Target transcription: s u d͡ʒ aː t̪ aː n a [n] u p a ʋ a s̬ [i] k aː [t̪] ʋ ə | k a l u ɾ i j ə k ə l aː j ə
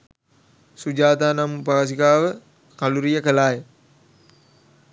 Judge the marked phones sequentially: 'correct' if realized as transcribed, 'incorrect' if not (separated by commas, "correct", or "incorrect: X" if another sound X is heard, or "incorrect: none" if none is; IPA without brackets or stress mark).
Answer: incorrect: m, correct, incorrect: none